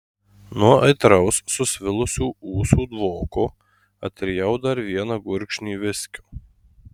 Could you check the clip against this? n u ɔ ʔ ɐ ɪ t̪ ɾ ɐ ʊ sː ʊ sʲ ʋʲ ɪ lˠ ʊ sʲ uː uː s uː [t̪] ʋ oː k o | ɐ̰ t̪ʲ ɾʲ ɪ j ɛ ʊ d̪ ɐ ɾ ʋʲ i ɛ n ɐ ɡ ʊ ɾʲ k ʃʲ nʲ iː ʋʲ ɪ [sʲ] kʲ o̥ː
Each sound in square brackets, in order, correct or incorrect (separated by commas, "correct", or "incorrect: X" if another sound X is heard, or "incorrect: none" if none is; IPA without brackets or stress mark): incorrect: d̪, correct